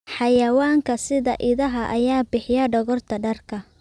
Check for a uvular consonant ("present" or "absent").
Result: absent